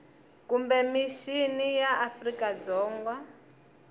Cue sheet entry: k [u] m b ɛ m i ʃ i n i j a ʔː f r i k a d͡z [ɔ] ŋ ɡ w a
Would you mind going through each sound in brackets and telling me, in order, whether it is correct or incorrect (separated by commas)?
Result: correct, incorrect